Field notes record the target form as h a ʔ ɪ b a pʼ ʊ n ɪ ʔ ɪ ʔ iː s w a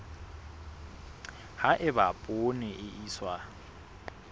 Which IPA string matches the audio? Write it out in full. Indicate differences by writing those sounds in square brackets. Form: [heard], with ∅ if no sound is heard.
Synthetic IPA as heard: h a ʔ ɪ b a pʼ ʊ n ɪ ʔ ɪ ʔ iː s w a